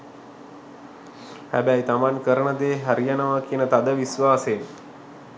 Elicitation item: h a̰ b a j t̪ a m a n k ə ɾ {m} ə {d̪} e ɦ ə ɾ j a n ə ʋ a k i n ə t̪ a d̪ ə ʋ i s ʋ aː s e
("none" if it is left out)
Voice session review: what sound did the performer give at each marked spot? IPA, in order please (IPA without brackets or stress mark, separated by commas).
ɳ, d̪